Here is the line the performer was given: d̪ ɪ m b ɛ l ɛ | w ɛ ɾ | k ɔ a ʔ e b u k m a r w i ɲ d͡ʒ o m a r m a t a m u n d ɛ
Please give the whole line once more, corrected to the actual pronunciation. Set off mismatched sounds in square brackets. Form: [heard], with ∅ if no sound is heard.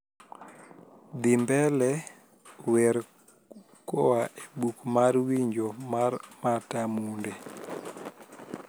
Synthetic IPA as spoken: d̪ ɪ m b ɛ l ɛ | w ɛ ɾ | k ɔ a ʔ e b u k m a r w i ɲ d͡ʒ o m a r m a t a m u n d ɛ